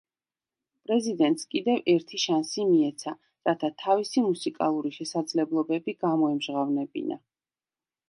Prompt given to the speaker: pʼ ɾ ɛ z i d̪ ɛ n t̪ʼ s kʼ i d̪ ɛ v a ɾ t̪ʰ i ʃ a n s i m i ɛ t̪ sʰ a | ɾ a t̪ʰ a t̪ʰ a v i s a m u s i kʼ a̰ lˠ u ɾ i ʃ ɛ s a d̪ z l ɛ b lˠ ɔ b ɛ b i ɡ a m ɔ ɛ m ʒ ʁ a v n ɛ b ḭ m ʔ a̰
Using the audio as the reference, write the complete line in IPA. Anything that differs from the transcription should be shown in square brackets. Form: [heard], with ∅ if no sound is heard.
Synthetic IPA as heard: pʼ ɾ ɛ z i d̪ ɛ n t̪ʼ s kʼ i d̪ ɛ v [ɛ] ɾ t̪ʰ i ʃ a n s i m i ɛ t̪ sʰ a | ɾ a t̪ʰ a t̪ʰ a v i s [i] m u s i kʼ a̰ lˠ u ɾ i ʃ ɛ s a d̪ z l ɛ b lˠ ɔ b ɛ b i ɡ a m ɔ ɛ m ʒ ʁ a v n ɛ b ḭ [n] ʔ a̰